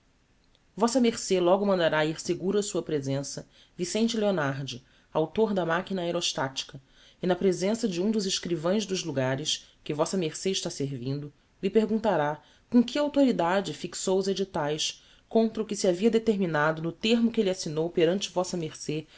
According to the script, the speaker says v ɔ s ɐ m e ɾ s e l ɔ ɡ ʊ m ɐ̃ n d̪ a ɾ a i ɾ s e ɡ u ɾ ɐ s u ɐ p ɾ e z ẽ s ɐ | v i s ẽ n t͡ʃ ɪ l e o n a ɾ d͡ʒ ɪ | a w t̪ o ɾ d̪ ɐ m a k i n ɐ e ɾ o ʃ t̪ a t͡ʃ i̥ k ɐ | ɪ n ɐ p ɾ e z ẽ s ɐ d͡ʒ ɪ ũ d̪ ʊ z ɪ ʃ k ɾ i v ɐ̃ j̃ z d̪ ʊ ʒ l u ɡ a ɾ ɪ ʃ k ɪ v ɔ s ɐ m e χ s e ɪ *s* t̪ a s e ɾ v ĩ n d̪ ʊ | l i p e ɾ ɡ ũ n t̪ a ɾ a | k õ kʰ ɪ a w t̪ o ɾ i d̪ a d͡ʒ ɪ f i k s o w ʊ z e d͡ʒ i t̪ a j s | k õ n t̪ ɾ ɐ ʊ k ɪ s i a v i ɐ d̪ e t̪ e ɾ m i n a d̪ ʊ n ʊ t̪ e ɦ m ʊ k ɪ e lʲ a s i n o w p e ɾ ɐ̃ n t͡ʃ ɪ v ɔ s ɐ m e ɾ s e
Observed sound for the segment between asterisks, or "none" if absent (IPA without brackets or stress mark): ʃ